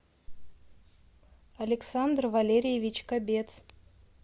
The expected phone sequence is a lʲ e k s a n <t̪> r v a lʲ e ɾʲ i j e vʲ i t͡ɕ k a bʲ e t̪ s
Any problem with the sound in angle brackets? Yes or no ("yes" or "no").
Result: yes